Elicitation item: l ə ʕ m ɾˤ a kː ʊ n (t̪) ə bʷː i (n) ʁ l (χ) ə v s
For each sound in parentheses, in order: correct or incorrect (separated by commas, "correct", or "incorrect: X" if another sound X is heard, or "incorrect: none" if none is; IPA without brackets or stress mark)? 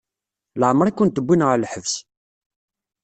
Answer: correct, correct, incorrect: ħ